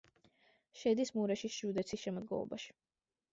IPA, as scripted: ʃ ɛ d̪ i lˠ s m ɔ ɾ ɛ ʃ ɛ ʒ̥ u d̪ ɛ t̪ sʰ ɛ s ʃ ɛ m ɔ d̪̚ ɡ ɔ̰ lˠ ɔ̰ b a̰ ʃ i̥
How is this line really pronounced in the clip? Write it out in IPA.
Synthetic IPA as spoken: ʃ ɛ d̪ i s m u ɾ ɛ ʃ i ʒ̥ u d̪ ɛ t̪ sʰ i s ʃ ɛ m ɔ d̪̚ ɡ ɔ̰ lˠ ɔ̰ b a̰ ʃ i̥